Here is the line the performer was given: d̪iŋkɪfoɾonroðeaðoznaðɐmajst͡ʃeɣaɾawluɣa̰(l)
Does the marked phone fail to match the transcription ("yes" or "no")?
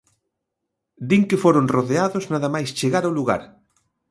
yes